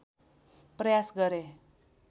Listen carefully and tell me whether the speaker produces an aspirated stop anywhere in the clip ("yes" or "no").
no